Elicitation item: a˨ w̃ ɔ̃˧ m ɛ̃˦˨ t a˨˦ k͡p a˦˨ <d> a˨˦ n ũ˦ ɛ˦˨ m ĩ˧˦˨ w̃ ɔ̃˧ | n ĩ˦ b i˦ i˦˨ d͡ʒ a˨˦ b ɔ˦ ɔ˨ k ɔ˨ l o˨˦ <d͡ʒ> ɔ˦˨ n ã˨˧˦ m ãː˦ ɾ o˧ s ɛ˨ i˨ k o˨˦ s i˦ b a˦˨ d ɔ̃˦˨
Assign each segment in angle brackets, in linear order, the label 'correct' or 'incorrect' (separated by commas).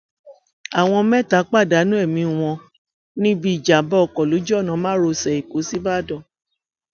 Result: correct, correct